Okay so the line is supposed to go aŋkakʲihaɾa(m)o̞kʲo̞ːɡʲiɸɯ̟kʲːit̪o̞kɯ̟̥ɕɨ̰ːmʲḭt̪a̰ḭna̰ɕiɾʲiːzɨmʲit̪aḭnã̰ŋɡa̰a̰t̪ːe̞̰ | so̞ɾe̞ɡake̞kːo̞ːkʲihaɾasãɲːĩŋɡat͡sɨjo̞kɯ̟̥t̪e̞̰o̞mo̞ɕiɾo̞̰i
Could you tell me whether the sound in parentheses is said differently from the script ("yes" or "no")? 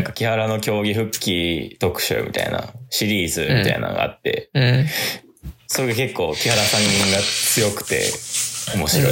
yes